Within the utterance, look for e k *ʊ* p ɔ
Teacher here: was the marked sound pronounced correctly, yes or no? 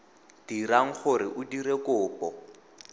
no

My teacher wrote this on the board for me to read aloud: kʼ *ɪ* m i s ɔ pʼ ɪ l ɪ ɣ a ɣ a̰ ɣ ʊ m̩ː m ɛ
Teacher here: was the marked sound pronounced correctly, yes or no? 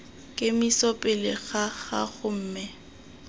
yes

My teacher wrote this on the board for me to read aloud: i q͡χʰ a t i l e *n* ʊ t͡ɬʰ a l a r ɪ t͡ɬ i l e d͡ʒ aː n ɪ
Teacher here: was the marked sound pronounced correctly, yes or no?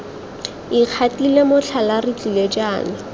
no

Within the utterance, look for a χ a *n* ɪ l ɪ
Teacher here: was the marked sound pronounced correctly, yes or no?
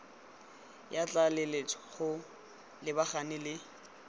yes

